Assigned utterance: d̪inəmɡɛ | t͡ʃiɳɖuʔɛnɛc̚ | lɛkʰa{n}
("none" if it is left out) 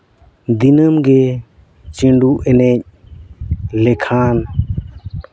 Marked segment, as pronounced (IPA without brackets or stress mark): n